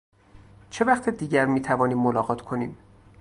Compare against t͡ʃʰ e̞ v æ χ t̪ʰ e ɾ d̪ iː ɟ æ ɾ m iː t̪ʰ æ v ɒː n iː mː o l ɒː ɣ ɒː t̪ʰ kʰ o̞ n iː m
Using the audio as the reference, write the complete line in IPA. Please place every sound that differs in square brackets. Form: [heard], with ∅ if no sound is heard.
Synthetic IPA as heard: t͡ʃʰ e̞ v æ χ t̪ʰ e [∅] d̪ iː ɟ æ ɾ m iː t̪ʰ æ v ɒː n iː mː o l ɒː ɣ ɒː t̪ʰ kʰ o̞ n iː m